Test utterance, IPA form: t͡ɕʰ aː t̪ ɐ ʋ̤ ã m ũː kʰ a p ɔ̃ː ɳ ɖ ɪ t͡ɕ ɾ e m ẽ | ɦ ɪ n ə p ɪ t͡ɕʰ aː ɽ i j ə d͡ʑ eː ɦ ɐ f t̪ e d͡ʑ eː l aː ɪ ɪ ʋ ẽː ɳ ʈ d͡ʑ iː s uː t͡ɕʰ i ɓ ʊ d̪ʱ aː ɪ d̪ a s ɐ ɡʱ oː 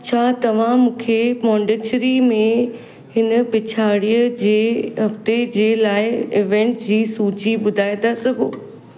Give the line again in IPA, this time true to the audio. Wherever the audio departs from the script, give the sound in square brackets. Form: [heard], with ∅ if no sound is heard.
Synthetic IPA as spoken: t͡ɕʰ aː t̪ ɐ ʋ̤ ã m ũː kʰ [e] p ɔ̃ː ɳ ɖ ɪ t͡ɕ ɾ [i] m ẽ | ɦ ɪ n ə p ɪ t͡ɕʰ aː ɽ i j ə d͡ʑ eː ɦ ɐ f t̪ e d͡ʑ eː l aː ɪ ɪ ʋ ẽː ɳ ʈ d͡ʑ iː s uː [t͡ɕ] i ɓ ʊ d̪ʱ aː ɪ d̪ a s ɐ ɡʱ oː